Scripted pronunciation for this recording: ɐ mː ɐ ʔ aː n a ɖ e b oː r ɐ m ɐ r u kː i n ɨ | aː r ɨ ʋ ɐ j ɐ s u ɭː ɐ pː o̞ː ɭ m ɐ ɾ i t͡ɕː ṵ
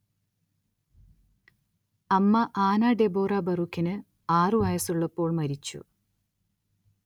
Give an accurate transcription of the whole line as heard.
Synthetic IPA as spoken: ɐ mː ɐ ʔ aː n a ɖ e b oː r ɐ b ɐ r u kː i n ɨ | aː r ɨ ʋ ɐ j ɐ s u ɭː ɐ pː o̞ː ɭ m ɐ ɾ i t͡ɕː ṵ